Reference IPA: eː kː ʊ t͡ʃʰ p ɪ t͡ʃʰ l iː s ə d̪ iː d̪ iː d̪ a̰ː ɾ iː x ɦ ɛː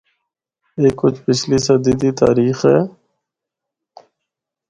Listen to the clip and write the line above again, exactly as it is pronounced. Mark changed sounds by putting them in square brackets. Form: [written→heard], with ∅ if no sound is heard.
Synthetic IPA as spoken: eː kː ʊ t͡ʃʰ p ɪ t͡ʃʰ l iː s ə d̪ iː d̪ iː [d̪→t̪] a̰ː ɾ iː x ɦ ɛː

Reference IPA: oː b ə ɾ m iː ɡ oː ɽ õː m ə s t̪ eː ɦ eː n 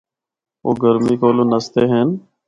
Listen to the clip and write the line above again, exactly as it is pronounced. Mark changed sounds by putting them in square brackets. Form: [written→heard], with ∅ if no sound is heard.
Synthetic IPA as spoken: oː [b→ɡ] ə ɾ m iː [ɡ→k] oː [ɽ→l] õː [m→n] ə s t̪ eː ɦ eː n

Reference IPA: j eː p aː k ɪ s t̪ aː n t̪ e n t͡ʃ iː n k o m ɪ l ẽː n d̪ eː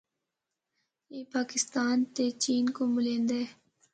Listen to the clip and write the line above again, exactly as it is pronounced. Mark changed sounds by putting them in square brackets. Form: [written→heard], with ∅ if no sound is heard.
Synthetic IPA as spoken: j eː p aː k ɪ s t̪ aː n t̪ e [n→∅] t͡ʃ iː n k o m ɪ l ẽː n d̪ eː

